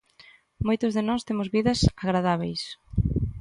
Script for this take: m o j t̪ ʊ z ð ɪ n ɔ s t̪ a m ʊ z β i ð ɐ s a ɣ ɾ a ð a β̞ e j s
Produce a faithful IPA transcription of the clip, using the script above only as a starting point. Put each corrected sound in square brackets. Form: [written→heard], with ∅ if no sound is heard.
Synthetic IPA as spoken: m o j t̪ ʊ z ð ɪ n ɔ s t̪ [a→e] m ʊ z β i ð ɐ s a ɣ ɾ a ð a β̞ e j s

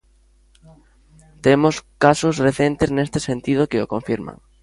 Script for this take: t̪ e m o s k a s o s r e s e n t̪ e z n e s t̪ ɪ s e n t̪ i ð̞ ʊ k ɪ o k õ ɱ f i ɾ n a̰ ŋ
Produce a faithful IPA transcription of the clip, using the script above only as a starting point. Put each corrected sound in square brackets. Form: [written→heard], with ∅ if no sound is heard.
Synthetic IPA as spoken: t̪ e m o s k a s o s r e [s→θ] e n t̪ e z n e s t̪ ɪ s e n t̪ i ð̞ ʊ k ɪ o k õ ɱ f i ɾ [n→m] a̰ ŋ

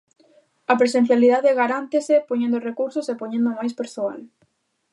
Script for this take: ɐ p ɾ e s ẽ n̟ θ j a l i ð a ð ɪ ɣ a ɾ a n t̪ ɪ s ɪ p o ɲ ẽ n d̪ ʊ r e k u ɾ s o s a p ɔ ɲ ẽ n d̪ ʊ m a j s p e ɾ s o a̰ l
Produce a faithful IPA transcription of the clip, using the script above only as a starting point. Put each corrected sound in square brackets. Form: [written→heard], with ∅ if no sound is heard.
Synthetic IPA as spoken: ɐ p ɾ e s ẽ n̟ θ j a l i ð a ð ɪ ɣ a ɾ a n t̪ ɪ s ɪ p o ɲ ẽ n d̪ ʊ r e k u ɾ s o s [a→e] p [ɔ→o] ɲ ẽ n d̪ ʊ m a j s p e ɾ s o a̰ l

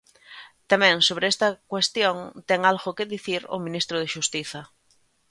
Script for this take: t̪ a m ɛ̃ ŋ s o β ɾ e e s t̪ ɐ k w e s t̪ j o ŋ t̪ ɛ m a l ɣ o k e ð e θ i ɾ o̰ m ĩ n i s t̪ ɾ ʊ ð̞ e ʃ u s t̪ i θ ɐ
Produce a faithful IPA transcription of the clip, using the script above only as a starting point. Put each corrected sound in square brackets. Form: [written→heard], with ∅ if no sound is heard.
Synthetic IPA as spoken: t̪ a m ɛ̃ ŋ s o β ɾ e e s t̪ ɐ k w e s t̪ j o ŋ t̪ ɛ [m→ŋ] a l ɣ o k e ð [e→i] θ i ɾ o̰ m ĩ n i s t̪ ɾ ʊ ð̞ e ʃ u s t̪ i θ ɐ

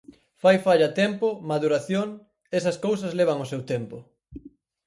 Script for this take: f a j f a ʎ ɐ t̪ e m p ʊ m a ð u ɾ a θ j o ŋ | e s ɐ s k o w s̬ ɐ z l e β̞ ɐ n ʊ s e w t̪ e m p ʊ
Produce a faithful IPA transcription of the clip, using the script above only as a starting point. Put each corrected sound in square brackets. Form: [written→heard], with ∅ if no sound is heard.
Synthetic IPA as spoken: f a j f a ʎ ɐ t̪ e m p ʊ m a ð u ɾ a θ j o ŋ | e s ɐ s k o w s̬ ɐ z l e β̞ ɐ [n→ŋ] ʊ s e w t̪ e m p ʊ

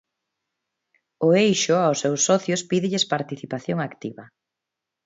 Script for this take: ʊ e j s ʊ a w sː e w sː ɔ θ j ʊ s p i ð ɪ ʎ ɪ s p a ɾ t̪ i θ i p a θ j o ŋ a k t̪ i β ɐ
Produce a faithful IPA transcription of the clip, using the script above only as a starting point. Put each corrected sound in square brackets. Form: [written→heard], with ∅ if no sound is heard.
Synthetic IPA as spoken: ʊ e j [s→ʃ] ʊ a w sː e w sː ɔ θ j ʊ s p i ð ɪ ʎ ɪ s p a ɾ t̪ i θ i p a θ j o ŋ a k t̪ i β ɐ

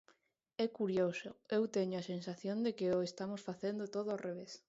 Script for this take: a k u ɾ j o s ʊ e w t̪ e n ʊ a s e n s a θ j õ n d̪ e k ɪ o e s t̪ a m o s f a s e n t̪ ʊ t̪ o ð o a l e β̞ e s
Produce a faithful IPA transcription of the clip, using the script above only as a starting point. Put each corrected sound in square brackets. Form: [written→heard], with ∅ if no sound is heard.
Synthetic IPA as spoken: [a→ɛ] k u ɾ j o s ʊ e w t̪ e [n→ɲ] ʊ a s e n s a θ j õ n d̪ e k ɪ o e s t̪ a m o s f a [s→θ] e n [t̪→d̪] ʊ t̪ o ð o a [l→r] e β̞ e s

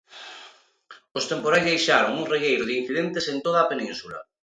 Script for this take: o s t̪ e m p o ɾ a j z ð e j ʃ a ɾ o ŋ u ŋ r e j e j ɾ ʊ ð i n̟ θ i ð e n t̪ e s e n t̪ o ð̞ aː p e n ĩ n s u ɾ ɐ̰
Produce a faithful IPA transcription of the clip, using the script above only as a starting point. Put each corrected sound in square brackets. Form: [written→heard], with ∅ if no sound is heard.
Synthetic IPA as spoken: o s t̪ e m p o ɾ a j z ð e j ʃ a ɾ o ŋ u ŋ r e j e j ɾ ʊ ð i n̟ θ i ð e n t̪ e s e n t̪ o ð̞ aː p e n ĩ n s u [ɾ→l] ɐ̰

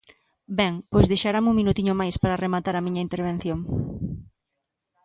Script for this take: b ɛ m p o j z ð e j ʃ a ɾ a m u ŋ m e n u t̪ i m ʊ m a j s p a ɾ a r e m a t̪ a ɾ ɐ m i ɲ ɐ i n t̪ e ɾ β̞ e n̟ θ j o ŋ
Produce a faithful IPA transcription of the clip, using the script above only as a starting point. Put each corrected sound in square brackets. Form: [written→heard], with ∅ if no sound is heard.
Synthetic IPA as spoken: b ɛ [m→ŋ] p o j z ð e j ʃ a ɾ a m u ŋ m [e→i] n u t̪ i [m→ɲ] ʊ m a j s p a ɾ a r e m a t̪ a ɾ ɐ m i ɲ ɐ i n t̪ e ɾ β̞ e n̟ θ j o ŋ

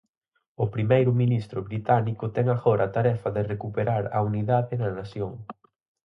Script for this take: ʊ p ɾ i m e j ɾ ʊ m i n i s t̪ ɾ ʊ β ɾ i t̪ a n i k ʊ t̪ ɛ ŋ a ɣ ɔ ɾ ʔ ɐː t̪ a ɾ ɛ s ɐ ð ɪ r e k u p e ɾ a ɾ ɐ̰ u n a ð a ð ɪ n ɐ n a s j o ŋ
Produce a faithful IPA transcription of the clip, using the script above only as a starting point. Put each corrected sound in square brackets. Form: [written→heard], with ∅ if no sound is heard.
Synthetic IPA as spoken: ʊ p ɾ i m e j ɾ ʊ m i n i s t̪ ɾ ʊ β ɾ i t̪ a n i k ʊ t̪ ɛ ŋ a ɣ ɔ ɾ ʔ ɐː t̪ a ɾ ɛ [s→f] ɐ ð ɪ r e k u p e ɾ a ɾ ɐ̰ u n [a→i] ð a ð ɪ n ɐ n a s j o ŋ

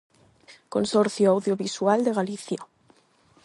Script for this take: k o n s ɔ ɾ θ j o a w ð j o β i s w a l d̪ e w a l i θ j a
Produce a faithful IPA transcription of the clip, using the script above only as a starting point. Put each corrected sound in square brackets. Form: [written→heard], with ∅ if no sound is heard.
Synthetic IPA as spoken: k o n s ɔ ɾ θ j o a w ð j o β i s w a l d̪ e [w→ɣ] a l i θ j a

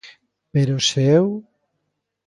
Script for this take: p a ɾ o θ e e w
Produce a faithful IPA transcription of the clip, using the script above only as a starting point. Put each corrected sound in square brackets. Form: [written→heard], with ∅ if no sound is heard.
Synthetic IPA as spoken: p [a→e] ɾ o [θ→s] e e w

